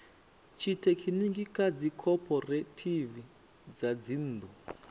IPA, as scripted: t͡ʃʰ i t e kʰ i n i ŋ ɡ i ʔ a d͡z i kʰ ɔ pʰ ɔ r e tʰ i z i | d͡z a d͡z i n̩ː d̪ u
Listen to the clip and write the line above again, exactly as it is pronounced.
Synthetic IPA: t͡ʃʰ i t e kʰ i n i ŋ ɡ i k a d͡z i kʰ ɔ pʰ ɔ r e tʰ i v i | d͡z a d͡z i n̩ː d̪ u

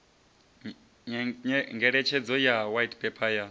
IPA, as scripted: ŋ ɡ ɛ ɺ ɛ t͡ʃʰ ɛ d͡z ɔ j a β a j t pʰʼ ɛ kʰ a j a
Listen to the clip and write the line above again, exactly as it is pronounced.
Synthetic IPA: ŋ ɡ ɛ ɺ ɛ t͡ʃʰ ɛ d͡z ɔ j a w a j t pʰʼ ɛ pʰ a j a

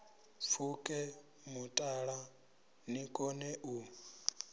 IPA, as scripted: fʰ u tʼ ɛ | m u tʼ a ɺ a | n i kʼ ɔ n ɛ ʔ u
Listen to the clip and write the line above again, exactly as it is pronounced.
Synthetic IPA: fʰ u kʼ ɛ | m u tʼ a ɺ a | n i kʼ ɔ n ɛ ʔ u

